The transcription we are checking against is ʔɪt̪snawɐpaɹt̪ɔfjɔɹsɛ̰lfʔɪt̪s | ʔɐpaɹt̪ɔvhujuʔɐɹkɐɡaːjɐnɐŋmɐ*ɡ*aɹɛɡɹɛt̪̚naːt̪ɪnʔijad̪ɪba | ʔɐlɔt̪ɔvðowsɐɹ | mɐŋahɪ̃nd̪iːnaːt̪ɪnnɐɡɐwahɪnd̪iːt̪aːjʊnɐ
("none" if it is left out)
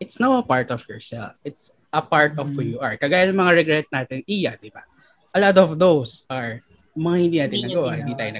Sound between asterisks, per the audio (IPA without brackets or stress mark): ŋ